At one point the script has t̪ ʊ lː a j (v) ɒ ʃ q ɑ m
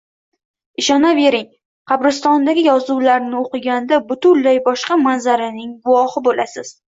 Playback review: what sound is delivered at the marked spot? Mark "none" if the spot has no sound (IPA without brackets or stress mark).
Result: b